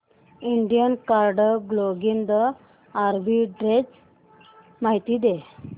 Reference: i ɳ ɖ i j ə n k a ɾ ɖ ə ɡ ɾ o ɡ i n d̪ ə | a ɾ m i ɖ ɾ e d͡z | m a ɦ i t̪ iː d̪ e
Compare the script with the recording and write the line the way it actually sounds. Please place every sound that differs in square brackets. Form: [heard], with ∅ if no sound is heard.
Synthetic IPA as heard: i ɳ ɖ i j ə n k a ɾ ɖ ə ɡ [l] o ɡ i n d̪ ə | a ɾ [b] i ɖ ɾ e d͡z | m a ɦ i t̪ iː d̪ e